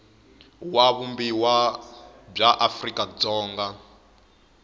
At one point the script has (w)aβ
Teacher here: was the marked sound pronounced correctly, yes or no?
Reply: yes